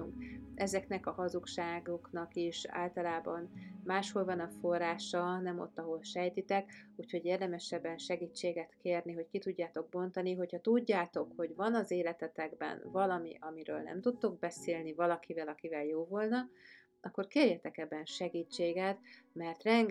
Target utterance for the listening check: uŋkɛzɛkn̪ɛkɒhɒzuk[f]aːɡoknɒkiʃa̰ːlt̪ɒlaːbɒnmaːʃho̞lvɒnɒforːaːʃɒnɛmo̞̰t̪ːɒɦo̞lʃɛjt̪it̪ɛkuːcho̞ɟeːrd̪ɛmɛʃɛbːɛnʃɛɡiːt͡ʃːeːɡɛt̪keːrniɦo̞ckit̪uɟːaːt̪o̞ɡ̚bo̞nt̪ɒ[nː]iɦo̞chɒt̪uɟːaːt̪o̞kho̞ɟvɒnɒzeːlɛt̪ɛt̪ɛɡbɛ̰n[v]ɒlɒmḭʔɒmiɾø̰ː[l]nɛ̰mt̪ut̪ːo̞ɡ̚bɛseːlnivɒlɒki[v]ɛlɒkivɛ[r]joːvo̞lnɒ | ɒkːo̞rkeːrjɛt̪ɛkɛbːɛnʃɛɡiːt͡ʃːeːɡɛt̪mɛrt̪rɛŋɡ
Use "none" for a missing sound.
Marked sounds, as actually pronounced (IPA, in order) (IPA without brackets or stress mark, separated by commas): ʃ, n, v, l, v, l